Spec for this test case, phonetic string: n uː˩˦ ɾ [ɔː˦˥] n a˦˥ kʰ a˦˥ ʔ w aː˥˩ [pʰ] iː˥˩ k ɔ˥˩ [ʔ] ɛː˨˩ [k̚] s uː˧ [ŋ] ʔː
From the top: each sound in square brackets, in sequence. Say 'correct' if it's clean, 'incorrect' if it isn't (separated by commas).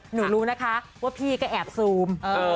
incorrect, correct, correct, incorrect, incorrect